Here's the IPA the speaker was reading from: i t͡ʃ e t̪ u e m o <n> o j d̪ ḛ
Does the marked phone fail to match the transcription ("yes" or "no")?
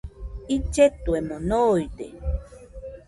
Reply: no